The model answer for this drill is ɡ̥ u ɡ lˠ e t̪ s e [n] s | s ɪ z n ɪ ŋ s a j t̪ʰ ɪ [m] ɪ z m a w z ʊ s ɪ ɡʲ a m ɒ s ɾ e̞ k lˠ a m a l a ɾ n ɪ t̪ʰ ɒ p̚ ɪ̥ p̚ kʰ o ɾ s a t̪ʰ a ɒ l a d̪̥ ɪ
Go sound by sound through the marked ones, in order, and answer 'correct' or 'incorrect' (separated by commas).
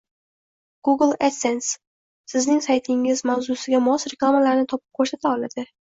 correct, incorrect